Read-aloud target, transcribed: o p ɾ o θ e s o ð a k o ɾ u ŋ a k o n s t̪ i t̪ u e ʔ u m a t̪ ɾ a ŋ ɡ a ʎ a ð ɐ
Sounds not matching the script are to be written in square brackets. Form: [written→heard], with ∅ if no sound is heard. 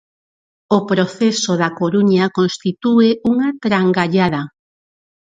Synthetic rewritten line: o p ɾ o θ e s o ð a k o ɾ u [ŋ→ɲ] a k o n s t̪ i t̪ u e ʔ u [m→ŋ] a t̪ ɾ a ŋ ɡ a ʎ a ð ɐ